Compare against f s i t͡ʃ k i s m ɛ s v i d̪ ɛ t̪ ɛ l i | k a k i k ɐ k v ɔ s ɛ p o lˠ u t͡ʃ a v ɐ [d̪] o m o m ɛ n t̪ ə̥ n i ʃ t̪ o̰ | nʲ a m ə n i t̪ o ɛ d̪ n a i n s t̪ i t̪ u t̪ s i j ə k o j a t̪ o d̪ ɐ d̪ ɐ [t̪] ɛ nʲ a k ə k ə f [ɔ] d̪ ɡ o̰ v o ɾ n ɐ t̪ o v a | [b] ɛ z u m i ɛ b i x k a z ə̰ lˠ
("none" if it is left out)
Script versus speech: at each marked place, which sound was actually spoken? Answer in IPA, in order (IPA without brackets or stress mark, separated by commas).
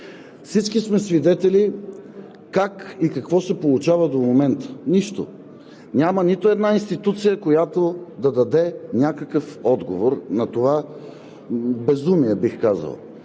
d̪, d̪, ɔ, b